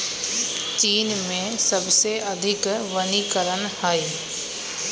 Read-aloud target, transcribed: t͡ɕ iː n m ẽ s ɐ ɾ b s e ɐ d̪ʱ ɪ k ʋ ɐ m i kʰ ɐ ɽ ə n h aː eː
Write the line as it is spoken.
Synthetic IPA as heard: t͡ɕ iː n m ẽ s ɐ b s e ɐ d̪ʱ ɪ k ʋ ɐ n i k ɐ ɾ ə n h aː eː